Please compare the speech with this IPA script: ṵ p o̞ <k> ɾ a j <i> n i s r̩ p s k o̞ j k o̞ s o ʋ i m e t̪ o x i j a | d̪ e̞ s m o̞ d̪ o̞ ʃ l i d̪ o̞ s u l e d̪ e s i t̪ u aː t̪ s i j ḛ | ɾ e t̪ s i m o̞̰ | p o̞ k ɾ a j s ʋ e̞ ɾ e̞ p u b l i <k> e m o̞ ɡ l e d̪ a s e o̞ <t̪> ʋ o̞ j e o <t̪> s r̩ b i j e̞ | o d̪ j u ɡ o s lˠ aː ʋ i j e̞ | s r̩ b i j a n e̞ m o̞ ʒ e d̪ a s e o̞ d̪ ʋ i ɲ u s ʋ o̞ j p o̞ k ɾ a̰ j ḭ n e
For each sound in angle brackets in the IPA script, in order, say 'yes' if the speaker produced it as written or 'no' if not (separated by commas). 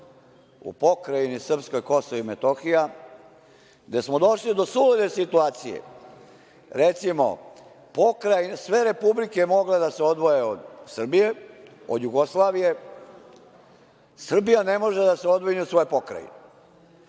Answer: yes, yes, yes, no, no